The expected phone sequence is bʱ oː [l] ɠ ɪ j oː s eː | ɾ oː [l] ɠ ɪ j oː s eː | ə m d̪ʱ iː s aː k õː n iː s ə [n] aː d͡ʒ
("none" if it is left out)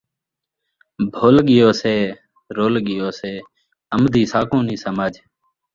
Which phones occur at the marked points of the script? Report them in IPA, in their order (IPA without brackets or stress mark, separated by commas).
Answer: l, l, m